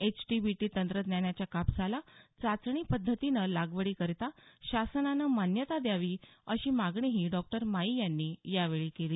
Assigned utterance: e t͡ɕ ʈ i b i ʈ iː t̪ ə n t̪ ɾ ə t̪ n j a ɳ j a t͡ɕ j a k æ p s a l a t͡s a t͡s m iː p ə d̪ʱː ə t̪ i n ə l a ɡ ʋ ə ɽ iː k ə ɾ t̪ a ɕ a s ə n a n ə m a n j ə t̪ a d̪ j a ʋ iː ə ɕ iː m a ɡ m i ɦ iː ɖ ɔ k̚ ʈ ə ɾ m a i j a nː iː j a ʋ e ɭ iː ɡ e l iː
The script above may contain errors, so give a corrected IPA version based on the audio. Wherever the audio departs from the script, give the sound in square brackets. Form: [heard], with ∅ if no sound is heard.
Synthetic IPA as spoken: e t͡ɕ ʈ i b i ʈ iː t̪ ə n t̪ ɾ ə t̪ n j a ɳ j a t͡ɕ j a k [a] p s a l a t͡s a t͡s [ɳ] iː p ə d̪ʱː ə t̪ i n ə l a ɡ ʋ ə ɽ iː k ə ɾ t̪ a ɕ a s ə n a n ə m a n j ə t̪ a d̪ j a ʋ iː ə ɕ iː m a ɡ [ɳ] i ɦ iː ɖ ɔ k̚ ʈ ə ɾ m a i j a nː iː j a ʋ e ɭ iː [k] e l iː